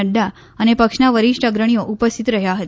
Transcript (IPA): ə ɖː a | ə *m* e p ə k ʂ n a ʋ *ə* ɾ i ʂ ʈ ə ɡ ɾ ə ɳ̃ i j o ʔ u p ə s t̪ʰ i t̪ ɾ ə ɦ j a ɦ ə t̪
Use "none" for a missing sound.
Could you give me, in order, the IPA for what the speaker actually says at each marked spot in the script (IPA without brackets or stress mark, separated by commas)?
n, ə